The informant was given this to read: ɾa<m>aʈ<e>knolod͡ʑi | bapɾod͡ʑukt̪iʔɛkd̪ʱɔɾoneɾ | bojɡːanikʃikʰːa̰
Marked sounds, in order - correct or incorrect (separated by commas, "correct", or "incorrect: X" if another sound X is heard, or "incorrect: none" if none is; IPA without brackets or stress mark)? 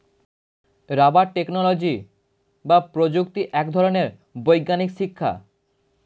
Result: incorrect: b, correct